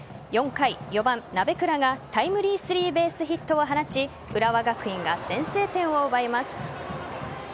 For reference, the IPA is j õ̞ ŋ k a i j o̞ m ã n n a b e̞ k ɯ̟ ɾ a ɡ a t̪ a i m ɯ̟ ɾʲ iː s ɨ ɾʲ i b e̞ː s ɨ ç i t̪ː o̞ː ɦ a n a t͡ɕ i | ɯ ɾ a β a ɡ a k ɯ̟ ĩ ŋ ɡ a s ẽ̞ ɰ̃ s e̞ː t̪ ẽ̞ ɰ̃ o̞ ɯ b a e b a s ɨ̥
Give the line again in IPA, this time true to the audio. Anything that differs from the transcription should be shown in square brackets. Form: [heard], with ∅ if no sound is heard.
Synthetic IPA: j õ̞ ŋ k a i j o̞ [b] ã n n a b e̞ k ɯ̟ ɾ a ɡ a t̪ a i m ɯ̟ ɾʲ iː s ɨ ɾʲ [iː] b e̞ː s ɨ ç i t̪ː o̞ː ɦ a n a t͡ɕ i | ɯ ɾ a β a ɡ a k ɯ̟ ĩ ŋ ɡ a s ẽ̞ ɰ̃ s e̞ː t̪ ẽ̞ ɰ̃ o̞ ɯ b a e [m] a s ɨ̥

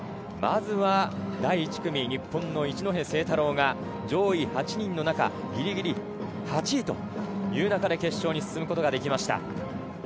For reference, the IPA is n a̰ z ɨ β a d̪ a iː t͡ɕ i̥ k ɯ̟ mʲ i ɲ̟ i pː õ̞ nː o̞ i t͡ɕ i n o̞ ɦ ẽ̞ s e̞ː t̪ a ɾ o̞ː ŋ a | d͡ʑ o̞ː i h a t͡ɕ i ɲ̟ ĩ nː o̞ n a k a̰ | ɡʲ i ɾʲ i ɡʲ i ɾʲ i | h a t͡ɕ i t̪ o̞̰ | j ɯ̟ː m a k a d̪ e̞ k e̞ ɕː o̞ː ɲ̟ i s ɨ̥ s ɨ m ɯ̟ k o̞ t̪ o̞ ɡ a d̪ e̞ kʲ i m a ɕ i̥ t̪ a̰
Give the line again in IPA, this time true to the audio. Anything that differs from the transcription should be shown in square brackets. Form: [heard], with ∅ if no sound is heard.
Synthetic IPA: [m] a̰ z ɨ β a d̪ a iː t͡ɕ i̥ k ɯ̟ mʲ i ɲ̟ i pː õ̞ nː o̞ i t͡ɕ i n o̞ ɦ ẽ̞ s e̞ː t̪ a ɾ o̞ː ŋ a | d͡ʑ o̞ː i h a t͡ɕ i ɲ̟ ĩ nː o̞ n a k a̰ | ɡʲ i ɾʲ i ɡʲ i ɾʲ i | h a t͡ɕ i t̪ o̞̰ | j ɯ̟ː [n] a k a d̪ e̞ k e̞ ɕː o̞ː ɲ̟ i s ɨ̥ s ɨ m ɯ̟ k o̞ t̪ o̞ ɡ a d̪ e̞ kʲ i m a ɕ i̥ t̪ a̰

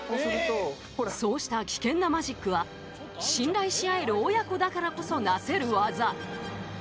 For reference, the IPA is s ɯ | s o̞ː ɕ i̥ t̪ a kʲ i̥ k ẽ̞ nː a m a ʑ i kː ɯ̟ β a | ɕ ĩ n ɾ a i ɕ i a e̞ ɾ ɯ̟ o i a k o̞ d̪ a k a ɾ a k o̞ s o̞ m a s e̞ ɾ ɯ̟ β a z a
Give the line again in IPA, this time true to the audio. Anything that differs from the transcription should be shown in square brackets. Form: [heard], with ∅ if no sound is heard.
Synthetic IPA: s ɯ | s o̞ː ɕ i̥ t̪ a kʲ i̥ k ẽ̞ nː a m a ʑ i kː ɯ̟ β a | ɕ ĩ n ɾ a i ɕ i a e̞ ɾ ɯ̟ o [j] a k o̞ d̪ a k a ɾ a k o̞ s o̞ [n] a s e̞ ɾ ɯ̟ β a z a

